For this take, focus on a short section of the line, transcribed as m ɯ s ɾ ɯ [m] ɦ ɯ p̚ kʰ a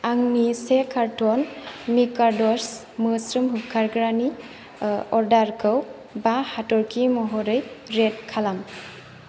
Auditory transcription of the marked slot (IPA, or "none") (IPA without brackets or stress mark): m